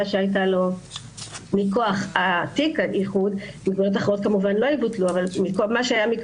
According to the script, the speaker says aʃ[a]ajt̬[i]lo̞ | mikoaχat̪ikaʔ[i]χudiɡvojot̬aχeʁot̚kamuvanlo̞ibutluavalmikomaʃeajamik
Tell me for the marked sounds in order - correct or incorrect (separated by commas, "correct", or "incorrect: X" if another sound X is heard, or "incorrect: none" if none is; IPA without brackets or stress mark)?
incorrect: e, incorrect: a, correct